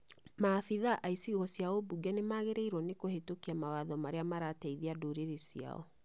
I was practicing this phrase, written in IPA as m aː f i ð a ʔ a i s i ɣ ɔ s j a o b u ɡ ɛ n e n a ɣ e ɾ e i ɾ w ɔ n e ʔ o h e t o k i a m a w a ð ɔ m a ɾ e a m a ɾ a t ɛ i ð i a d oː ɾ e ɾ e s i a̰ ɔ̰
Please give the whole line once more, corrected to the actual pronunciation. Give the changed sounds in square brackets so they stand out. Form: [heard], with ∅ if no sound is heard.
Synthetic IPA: m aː f i ð a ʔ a i s i ɣ ɔ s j a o b u ɡ ɛ n e [m] a ɣ e ɾ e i ɾ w ɔ n e [k] o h e t o k i a m a w a ð ɔ m a ɾ e a m a ɾ a t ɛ i ð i a d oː ɾ e ɾ e s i a̰ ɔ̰

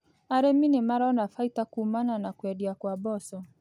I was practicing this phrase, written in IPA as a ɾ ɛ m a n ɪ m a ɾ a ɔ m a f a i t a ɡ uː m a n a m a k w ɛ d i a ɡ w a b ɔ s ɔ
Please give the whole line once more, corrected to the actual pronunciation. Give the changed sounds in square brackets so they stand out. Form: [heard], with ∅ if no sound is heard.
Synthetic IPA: a ɾ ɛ m [i] n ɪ m a ɾ a ɔ [n] a f a i t a [k] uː m a n a [n] a k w ɛ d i a [k] w a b ɔ s ɔ

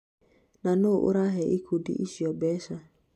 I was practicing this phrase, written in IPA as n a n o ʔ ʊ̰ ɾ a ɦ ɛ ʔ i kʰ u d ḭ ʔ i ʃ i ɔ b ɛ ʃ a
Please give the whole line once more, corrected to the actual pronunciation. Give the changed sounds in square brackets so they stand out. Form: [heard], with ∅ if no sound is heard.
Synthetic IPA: n a n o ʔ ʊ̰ ɾ a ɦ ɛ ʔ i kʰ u d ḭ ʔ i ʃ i ɔ b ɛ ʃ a

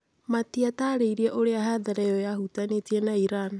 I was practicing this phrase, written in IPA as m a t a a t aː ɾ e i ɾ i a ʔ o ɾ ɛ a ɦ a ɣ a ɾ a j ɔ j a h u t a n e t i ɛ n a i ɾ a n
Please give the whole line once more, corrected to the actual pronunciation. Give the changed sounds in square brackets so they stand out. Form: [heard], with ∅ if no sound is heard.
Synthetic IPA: m a t [i] a t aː ɾ e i ɾ i a ʔ o ɾ [e] a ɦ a [ð] a ɾ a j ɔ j a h u t a n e t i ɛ n a i ɾ a n

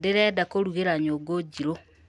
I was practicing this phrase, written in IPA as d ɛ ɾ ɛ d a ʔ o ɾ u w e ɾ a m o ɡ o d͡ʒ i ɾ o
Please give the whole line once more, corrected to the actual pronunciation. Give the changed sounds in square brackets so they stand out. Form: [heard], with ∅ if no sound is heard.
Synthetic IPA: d [e] ɾ ɛ d a [k] o ɾ u [ɣ] e ɾ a [ɲ] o ɡ o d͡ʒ i ɾ o

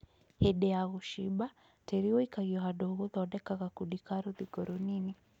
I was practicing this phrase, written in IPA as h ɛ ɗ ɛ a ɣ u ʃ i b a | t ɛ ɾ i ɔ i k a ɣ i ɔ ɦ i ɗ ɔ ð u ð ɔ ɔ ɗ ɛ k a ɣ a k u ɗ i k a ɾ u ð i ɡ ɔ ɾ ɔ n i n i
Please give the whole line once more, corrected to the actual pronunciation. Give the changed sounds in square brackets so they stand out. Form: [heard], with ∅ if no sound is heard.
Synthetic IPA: h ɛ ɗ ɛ a ɣ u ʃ i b a | t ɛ ɾ i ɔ i k a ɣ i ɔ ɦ [a] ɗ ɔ [ɣ] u ð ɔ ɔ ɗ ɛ k a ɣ a k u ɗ i k a ɾ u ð i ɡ ɔ ɾ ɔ n i n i

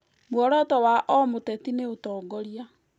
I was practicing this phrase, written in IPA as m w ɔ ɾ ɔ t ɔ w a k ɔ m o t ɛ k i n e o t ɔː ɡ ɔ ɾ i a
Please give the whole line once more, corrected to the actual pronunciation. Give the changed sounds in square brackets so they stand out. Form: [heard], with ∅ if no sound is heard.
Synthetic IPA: m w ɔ ɾ ɔ t ɔ w a [ʔ] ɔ m o t ɛ [t] i n e o t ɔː ɡ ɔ ɾ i a

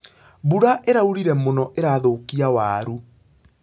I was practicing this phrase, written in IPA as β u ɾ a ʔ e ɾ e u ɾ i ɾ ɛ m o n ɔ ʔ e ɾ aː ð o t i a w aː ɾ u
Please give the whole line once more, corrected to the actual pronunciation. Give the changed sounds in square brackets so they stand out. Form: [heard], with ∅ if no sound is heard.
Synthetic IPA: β u ɾ a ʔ e ɾ [a] u ɾ i ɾ ɛ m o n ɔ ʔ e ɾ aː ð o [k] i a w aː ɾ u

